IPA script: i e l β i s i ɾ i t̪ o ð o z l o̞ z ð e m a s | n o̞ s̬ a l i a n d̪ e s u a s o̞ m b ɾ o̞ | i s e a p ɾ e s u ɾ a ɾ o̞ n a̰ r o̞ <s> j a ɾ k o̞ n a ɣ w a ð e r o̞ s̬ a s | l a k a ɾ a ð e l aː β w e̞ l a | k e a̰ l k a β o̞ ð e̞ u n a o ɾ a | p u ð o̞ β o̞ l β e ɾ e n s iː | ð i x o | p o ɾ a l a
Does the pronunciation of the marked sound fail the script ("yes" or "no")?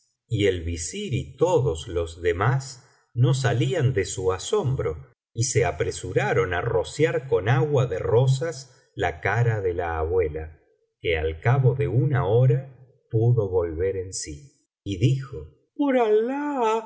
no